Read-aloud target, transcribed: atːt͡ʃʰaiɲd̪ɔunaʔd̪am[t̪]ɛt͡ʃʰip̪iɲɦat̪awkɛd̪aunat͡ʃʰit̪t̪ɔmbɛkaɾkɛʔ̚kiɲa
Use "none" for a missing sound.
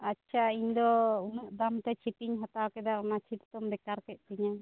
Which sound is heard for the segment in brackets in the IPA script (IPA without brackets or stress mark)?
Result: t̪